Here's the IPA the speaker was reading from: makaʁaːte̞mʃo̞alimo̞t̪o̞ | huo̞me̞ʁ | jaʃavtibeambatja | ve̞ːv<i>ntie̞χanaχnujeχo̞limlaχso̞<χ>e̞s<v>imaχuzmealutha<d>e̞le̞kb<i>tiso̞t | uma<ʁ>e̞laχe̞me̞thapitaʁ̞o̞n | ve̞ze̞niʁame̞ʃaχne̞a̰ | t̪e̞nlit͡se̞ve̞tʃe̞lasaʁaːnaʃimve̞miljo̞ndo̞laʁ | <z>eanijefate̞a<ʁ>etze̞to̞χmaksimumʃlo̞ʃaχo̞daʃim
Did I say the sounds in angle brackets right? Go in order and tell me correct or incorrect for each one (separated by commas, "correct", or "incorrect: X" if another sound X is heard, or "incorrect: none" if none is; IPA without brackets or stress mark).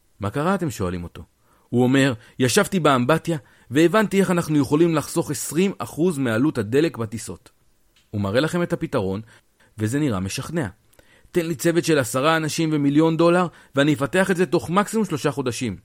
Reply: incorrect: a, correct, incorrect: ʁ, correct, incorrect: a, correct, incorrect: v, incorrect: χ